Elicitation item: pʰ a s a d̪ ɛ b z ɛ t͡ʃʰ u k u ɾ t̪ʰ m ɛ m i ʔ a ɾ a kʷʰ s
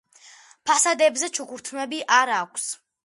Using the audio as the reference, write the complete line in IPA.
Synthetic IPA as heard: pʰ a s a d̪ ɛ b z ɛ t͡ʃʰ u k u ɾ t̪ʰ m ɛ b i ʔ a ɾ a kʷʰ s